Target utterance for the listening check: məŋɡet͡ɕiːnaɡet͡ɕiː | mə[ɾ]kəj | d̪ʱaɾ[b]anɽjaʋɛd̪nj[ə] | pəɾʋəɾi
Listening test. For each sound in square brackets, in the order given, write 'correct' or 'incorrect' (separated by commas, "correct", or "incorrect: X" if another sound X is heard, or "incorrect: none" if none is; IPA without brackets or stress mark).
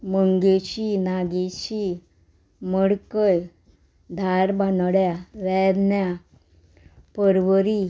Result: incorrect: ɽ, correct, incorrect: a